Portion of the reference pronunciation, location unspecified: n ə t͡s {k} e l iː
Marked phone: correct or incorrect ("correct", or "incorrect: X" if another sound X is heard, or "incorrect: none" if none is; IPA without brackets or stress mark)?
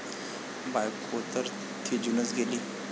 incorrect: ɡ